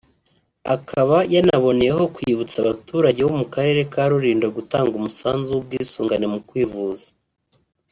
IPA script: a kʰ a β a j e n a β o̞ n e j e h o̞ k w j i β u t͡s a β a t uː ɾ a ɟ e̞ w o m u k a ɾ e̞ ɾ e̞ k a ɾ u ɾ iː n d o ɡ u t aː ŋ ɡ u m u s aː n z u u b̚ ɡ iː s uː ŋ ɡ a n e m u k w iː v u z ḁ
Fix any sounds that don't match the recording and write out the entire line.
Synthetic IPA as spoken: a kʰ a β a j a n a β o̞ n e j e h o̞ k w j i β u t͡s a β a t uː ɾ a ɟ e̞ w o m u k a ɾ e̞ ɾ e̞ k a ɾ u ɾ iː n d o ɡ u t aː ŋ ɡ u m u s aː n z u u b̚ ɡ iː s uː ŋ ɡ a n e m u k w iː v u z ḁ